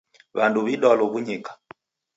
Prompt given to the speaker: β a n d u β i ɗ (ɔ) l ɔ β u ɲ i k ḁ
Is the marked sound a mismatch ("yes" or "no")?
no